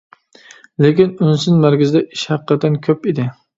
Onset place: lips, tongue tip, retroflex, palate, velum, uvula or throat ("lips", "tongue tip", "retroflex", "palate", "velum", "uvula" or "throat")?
tongue tip